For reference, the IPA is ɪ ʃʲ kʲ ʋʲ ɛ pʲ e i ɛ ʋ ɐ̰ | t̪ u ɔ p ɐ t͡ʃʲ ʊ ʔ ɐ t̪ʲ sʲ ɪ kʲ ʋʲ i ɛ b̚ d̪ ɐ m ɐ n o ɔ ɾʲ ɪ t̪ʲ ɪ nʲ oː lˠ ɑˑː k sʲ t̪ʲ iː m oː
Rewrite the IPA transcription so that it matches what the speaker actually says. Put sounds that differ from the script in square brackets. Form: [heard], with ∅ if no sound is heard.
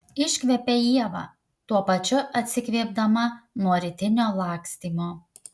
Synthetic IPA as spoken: ɪ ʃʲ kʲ ʋʲ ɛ pʲ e i ɛ ʋ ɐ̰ | t̪ u ɔ p ɐ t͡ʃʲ ʊ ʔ ɐ t̪ʲ sʲ ɪ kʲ ʋʲ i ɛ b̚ d̪ ɐ m ɐ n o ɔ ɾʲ ɪ t̪ʲ ɪ nʲ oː lˠ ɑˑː k sʲ t̪ʲ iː m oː